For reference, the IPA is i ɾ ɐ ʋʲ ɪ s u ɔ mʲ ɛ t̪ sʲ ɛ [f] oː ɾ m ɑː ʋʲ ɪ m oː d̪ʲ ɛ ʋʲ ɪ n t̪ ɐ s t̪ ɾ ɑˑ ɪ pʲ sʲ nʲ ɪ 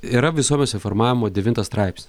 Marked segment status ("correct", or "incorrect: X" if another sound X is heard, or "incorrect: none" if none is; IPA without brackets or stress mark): correct